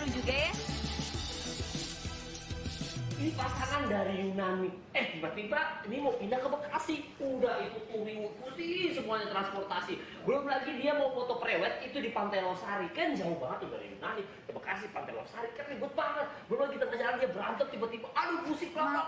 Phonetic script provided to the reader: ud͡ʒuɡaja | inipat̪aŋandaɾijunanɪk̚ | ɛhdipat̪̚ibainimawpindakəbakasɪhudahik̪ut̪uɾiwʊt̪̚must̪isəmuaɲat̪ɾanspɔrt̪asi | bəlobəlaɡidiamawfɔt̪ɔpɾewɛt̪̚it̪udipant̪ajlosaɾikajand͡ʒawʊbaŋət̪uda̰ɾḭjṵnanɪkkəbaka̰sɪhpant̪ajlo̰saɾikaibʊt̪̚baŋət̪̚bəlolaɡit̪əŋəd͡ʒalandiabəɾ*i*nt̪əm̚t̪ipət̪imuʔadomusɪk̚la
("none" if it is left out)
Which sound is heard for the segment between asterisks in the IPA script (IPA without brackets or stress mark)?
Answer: a